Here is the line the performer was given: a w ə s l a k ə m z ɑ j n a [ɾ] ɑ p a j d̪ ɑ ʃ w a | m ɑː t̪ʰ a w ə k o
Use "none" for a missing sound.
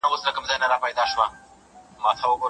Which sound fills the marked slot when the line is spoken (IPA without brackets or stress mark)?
ɾ